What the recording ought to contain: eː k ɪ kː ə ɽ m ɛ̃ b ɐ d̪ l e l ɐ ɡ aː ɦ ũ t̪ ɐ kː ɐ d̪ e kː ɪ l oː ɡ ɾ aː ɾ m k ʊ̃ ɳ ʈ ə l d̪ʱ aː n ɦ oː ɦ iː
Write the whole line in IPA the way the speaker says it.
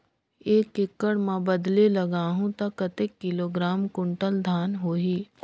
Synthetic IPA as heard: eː k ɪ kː ə ɽ m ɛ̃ b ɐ d̪ l e l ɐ ɡ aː ɦ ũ t̪ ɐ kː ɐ t̪ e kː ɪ l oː ɡ ɾ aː m k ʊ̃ ɳ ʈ ə l d̪ʱ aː n ɦ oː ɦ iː